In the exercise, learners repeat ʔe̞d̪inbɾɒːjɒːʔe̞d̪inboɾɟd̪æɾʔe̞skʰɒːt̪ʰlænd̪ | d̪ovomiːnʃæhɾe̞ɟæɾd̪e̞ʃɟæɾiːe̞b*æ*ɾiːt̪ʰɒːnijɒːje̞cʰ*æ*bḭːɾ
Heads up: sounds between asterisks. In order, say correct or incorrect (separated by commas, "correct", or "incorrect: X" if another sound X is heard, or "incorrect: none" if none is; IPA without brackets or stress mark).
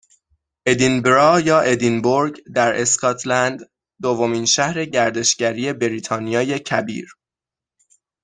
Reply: incorrect: e, correct